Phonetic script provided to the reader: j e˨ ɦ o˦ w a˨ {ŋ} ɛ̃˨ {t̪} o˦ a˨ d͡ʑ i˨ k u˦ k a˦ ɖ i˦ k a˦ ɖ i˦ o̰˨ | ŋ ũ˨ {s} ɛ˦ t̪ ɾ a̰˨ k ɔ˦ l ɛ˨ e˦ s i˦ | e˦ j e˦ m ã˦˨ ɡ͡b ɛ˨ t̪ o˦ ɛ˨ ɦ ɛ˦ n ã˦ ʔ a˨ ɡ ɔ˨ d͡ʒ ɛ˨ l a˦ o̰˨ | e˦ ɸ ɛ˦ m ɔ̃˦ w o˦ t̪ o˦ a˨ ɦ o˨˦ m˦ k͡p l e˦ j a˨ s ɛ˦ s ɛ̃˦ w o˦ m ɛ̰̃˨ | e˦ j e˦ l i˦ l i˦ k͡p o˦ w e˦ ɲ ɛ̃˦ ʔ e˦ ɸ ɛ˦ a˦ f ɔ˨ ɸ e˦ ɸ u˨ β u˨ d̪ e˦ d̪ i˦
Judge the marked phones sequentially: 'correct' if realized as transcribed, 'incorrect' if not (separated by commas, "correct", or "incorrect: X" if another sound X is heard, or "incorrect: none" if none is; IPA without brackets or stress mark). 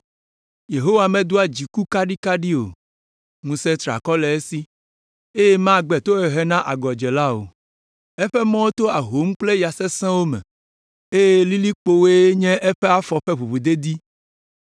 incorrect: m, incorrect: d̪, correct